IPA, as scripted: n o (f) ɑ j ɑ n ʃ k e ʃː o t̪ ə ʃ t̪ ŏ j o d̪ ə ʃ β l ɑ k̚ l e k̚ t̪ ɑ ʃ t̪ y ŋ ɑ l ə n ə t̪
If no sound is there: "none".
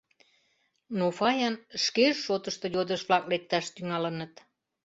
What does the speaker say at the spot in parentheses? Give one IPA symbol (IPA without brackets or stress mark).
f